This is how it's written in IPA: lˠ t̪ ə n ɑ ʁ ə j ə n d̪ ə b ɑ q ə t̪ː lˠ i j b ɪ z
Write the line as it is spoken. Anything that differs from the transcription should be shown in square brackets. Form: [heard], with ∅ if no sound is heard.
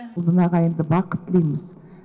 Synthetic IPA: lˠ [d̪] ə n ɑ ʁ [ɑ] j ə n d̪ ə b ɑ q ə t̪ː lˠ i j [m] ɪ z